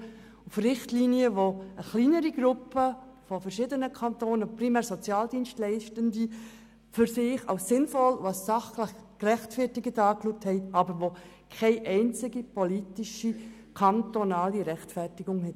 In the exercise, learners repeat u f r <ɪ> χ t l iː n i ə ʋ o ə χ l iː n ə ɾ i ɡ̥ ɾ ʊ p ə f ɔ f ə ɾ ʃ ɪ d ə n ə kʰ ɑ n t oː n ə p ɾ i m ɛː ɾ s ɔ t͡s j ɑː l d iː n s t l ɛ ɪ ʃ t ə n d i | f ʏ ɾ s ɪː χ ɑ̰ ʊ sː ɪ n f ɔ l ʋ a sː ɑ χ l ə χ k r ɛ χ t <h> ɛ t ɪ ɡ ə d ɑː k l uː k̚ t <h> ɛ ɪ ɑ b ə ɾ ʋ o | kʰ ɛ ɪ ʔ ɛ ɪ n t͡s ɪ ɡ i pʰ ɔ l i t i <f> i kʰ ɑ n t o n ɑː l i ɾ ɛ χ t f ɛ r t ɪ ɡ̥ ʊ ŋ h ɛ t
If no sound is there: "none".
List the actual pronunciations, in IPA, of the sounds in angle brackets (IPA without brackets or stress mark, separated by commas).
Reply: ɪ, f, h, ʃ